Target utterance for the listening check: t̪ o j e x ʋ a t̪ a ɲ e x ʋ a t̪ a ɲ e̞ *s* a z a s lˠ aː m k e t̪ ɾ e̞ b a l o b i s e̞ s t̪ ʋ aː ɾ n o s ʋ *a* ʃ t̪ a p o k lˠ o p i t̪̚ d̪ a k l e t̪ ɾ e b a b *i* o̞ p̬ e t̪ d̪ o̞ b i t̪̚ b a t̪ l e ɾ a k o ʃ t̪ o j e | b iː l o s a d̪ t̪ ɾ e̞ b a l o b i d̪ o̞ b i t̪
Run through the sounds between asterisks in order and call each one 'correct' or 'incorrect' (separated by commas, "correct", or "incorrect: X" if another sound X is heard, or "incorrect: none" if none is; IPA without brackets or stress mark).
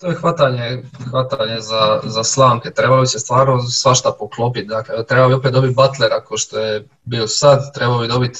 incorrect: z, correct, correct